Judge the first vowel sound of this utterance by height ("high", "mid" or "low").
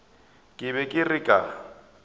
high